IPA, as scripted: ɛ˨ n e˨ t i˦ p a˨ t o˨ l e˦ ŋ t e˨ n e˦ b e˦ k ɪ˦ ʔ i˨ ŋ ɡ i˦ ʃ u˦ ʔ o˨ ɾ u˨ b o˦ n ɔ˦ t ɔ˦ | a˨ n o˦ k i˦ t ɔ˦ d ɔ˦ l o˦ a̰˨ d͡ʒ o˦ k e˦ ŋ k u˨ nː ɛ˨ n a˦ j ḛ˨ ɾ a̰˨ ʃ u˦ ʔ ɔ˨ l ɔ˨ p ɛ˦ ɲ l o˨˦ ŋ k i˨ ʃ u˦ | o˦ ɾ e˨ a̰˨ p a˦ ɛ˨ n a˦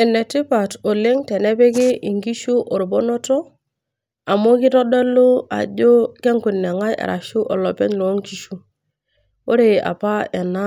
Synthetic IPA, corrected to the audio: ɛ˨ n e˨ t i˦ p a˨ t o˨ l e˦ ŋ t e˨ n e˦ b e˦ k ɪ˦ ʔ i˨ ŋ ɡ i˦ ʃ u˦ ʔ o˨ ɾ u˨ b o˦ n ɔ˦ t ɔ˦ | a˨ m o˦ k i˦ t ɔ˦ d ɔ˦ l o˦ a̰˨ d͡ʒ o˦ k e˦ ŋ k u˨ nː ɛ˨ ŋ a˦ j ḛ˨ ɾ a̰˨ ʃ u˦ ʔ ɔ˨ l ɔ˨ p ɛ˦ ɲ l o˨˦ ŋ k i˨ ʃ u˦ | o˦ ɾ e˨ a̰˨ p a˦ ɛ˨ n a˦